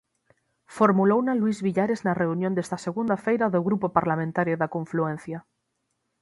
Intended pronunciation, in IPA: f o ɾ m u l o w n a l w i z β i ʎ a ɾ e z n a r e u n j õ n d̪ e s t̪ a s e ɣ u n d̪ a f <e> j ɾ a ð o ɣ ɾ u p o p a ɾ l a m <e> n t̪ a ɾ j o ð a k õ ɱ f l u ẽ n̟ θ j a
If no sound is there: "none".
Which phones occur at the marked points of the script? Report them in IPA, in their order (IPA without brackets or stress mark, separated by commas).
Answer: e, ẽ